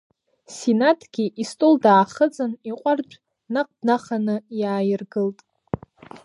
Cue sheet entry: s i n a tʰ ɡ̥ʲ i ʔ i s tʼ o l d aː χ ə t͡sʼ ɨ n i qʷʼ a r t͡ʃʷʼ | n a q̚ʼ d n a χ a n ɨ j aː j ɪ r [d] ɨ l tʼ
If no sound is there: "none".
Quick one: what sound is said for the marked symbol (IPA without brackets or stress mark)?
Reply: ɡ